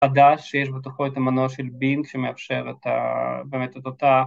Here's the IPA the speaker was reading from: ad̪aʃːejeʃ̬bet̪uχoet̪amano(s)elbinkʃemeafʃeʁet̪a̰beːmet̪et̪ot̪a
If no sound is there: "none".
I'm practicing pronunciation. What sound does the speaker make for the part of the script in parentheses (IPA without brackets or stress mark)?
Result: ʃ